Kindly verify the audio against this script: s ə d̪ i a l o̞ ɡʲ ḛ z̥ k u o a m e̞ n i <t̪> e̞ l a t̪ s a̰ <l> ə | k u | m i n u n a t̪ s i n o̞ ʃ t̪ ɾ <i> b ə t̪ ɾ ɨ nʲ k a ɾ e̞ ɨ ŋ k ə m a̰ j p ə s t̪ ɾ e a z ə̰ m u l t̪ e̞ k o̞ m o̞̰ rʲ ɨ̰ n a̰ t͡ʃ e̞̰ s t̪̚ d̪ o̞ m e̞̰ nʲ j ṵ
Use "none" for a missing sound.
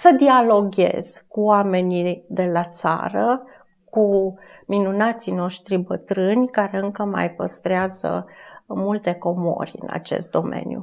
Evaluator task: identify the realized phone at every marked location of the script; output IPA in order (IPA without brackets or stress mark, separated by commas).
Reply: d̪, ɾ, i